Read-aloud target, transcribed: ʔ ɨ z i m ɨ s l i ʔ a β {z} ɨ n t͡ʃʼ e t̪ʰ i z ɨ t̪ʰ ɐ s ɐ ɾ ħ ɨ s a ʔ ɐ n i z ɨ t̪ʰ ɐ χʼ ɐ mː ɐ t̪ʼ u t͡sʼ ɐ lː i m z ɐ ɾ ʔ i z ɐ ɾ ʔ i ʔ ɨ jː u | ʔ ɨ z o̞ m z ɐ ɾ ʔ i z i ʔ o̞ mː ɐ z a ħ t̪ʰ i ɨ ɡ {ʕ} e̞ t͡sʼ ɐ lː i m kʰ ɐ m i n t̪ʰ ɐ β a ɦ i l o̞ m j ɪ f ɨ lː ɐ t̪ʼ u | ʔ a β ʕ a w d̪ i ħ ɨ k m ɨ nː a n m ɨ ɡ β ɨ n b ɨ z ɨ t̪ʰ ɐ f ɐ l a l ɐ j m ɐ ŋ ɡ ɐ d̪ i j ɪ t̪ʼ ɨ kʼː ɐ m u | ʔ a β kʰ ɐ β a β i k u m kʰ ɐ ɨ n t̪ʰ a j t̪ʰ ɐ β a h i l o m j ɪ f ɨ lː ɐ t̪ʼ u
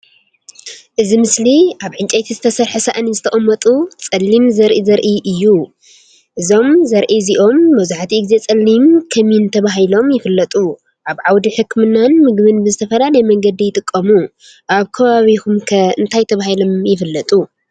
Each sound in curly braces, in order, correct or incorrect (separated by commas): incorrect, incorrect